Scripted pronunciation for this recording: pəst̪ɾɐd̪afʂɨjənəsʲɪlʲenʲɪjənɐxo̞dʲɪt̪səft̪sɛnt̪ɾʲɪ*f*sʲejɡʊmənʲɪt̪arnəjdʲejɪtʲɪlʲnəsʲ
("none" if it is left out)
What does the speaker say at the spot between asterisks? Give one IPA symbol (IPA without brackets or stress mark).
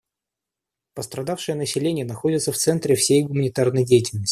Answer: f